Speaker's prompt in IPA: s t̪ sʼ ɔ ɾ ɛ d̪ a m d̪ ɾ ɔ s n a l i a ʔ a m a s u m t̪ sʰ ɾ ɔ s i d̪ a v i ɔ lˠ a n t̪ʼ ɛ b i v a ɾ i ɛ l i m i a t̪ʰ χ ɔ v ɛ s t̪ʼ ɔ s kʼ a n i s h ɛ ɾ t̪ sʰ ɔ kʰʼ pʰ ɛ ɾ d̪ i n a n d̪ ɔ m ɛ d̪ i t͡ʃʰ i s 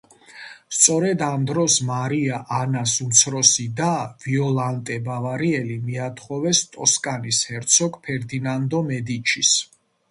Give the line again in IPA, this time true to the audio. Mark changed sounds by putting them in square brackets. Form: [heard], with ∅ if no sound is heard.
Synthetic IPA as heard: s t̪ sʼ ɔ ɾ ɛ d̪ a m d̪ ɾ ɔ s [m] a [ɾ] i a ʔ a [n] a s u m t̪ sʰ ɾ ɔ s i d̪ a v i ɔ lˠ a n t̪ʼ ɛ b [a] v a ɾ i ɛ l i m i a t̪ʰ χ ɔ v ɛ s t̪ʼ ɔ s kʼ a n i s h ɛ ɾ t̪ sʰ ɔ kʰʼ pʰ ɛ ɾ d̪ i n a n d̪ ɔ m ɛ d̪ i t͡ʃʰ i s